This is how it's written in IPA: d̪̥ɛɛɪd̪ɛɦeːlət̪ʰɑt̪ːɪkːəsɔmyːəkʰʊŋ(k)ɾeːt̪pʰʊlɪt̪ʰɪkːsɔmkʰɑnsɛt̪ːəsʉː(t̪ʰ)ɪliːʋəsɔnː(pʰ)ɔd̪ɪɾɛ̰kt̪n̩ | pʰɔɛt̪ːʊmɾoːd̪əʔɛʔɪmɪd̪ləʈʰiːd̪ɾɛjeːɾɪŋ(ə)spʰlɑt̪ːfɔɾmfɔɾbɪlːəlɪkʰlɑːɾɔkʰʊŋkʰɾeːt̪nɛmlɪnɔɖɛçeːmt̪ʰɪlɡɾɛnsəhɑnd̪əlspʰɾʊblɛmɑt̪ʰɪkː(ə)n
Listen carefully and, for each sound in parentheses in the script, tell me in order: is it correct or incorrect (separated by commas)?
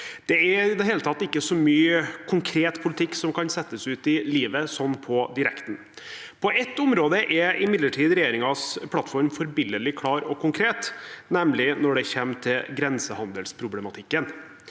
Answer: incorrect, incorrect, correct, incorrect, correct